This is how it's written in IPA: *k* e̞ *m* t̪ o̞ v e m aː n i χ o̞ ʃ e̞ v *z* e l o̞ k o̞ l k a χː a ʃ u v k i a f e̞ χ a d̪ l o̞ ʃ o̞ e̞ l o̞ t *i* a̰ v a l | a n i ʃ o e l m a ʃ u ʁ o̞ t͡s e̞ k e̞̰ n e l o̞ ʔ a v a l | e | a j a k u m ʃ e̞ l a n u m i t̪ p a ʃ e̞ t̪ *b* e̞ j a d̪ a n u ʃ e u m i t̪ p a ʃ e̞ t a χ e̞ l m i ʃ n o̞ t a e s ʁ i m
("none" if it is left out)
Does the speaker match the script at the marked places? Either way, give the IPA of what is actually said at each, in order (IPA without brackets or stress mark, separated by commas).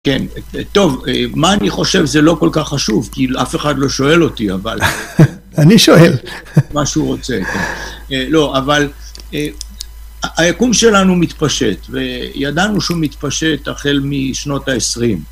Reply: k, n, z, i, v